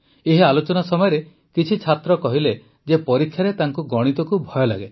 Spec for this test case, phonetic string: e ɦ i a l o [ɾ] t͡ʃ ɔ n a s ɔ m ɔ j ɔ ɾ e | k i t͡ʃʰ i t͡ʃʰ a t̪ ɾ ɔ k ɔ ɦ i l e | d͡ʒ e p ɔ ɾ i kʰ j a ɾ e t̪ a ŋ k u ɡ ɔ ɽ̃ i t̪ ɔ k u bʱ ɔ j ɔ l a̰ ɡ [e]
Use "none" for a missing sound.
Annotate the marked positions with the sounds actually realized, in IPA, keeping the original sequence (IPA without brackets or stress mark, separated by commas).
none, e